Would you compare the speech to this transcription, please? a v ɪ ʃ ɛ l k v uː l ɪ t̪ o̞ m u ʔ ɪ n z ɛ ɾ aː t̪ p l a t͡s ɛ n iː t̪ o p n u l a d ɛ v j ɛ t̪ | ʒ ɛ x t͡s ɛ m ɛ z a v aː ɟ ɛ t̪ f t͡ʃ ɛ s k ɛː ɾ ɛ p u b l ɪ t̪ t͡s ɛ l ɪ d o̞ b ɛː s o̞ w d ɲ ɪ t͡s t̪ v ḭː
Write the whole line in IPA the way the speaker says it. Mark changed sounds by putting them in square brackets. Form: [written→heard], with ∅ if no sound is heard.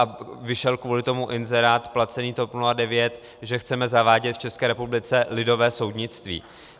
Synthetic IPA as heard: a v ɪ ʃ ɛ l k v uː l ɪ t̪ o̞ m u ʔ ɪ n z ɛ ɾ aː t̪ p l a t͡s ɛ n iː t̪ o p n u l a d ɛ v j ɛ t̪ | ʒ ɛ x t͡s ɛ m ɛ z a v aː ɟ ɛ t̪ f t͡ʃ ɛ s k ɛː ɾ ɛ p u b l ɪ [t̪→∅] t͡s ɛ l ɪ d o̞ [b→v] ɛː s o̞ w d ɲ ɪ t͡s t̪ v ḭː